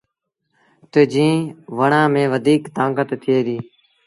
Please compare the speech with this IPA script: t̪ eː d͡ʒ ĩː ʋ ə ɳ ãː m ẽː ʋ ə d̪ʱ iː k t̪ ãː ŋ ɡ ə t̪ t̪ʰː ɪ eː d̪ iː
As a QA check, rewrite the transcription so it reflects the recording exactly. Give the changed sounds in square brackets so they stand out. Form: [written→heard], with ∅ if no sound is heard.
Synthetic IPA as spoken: t̪ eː d͡ʒ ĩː ʋ ə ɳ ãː m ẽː ʋ ə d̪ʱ iː k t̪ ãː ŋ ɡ ə t̪ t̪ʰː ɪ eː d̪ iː